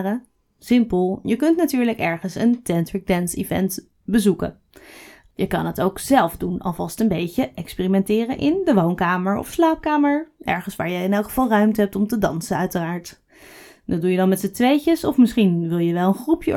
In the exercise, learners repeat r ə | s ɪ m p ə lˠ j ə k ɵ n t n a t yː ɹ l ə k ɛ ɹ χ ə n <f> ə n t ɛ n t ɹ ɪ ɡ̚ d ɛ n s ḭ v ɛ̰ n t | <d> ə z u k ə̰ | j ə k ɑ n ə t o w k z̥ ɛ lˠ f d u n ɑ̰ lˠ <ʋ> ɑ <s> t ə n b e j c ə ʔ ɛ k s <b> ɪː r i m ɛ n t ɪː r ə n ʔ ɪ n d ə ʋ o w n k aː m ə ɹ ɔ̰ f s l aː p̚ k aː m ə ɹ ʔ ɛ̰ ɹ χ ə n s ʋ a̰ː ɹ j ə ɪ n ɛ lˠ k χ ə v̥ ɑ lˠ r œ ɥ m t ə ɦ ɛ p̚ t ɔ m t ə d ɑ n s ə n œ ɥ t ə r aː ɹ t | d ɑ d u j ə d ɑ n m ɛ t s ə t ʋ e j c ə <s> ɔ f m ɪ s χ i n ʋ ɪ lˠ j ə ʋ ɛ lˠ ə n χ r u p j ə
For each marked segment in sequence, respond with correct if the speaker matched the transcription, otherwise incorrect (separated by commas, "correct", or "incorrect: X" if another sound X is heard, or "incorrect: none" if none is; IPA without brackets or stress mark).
incorrect: s, incorrect: b, incorrect: v, correct, incorrect: p, correct